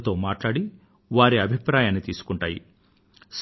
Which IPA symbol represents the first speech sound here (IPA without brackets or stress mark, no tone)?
t̪